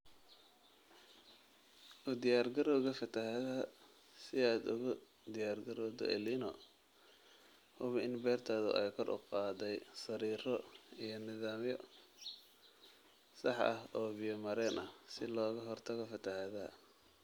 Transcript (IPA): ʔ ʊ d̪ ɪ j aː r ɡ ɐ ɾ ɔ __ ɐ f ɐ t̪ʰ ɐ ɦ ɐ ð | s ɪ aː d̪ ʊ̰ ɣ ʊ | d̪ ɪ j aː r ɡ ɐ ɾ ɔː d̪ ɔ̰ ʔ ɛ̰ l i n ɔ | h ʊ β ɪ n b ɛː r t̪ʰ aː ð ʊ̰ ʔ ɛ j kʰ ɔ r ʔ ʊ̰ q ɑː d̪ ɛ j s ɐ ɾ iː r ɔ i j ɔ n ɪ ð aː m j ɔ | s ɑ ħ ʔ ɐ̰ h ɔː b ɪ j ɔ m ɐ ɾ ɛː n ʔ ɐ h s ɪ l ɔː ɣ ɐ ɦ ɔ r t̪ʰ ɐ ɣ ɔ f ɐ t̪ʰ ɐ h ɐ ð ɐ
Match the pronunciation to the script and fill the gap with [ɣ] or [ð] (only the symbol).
ɣ